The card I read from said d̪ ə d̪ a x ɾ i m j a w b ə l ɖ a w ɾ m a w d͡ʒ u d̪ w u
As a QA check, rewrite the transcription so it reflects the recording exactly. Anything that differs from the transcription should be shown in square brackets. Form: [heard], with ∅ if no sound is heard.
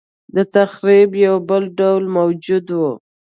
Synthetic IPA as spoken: d̪ ə [t̪] a x ɾ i [b] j a w b ə l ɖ a w [l] m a w d͡ʒ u d̪ w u